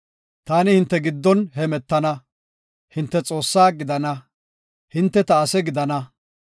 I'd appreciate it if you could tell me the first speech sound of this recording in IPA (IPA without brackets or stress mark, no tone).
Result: t̪